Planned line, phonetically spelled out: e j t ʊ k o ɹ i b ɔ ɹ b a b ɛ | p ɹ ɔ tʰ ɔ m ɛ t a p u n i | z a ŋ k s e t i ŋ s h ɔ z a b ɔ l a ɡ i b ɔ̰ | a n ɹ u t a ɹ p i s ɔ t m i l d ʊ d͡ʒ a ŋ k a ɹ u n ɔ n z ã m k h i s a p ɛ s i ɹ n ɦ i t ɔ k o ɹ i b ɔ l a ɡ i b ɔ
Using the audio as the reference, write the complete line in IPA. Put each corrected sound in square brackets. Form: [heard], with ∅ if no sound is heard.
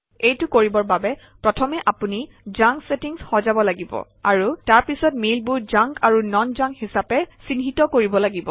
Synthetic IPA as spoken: e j t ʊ k o ɹ i b ɔ ɹ b a b ɛ | p ɹ ɔ tʰ ɔ m ɛ [ʔ] a p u n i | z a ŋ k s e t i ŋ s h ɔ z a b ɔ l a ɡ i b ɔ̰ | a [∅] ɹ u t a ɹ p i s ɔ t m i l [b] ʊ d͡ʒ a ŋ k a ɹ u n ɔ n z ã [ŋ] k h i s a p ɛ s i [∅] n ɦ i t ɔ k o ɹ i b ɔ l a ɡ i b ɔ